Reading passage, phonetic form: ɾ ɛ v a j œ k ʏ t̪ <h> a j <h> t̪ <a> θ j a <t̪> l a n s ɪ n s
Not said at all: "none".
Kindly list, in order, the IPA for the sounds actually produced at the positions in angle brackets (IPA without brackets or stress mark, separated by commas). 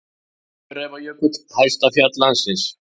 h, s, a, t̪